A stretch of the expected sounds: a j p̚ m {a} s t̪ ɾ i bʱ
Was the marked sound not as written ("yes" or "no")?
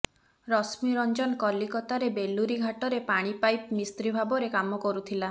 yes